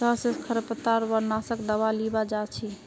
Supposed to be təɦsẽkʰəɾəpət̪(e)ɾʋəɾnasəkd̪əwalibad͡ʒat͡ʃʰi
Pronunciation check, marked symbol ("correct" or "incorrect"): incorrect